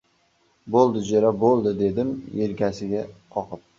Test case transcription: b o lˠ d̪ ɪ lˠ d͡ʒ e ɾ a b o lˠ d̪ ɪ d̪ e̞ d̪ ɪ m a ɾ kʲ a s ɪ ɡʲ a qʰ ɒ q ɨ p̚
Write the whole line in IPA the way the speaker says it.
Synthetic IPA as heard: b o lˠ d̪ ɪ d͡ʒ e ɾ a b o lˠ d̪ ɪ d̪ e̞ d̪ ɪ m e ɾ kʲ a s ɪ ɡʲ a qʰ ɒ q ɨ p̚